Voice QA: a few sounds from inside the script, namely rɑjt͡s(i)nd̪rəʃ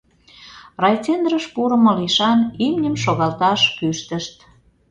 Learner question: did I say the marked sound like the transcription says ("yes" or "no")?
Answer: no